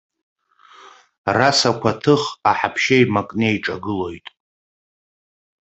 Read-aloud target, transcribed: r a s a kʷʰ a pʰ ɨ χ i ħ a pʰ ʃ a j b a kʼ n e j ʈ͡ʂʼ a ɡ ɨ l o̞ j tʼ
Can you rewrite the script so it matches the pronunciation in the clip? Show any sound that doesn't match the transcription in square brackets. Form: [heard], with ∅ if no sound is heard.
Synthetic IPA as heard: r a s a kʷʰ a [tʰ] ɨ χ [a] ħ a pʰ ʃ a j [m] a kʼ n e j ʈ͡ʂʼ a ɡ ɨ l o̞ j tʼ